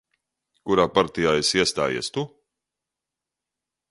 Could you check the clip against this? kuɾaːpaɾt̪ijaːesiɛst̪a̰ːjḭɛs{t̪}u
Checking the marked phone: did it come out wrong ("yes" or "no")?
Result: no